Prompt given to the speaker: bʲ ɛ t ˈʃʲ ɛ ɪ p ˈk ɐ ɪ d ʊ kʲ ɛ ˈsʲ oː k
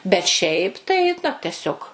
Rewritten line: bʲ ɛ t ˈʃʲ ɛ ɪ p ˈt ɐ ɪ n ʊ tʲ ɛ ˈsʲ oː k